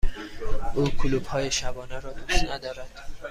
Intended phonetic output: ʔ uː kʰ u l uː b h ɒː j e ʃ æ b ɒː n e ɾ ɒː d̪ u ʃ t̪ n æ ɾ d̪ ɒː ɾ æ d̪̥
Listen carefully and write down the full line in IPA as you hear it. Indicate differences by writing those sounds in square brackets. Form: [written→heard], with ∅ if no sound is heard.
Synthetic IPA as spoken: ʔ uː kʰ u l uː b h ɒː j e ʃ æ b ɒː n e ɾ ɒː d̪ u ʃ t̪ n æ [ɾ→∅] d̪ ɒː ɾ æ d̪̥